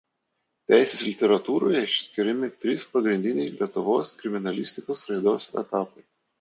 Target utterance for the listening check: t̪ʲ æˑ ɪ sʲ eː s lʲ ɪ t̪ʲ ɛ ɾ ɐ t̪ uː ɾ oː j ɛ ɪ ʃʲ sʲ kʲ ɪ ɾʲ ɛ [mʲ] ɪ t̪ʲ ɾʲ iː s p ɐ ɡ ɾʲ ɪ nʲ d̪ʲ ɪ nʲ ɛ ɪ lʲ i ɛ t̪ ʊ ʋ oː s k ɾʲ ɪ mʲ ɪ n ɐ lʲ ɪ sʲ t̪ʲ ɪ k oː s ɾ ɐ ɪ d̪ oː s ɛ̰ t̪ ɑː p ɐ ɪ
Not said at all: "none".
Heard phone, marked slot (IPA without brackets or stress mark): mʲ